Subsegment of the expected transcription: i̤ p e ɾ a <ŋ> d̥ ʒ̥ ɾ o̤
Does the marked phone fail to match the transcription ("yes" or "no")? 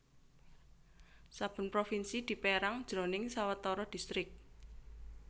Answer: no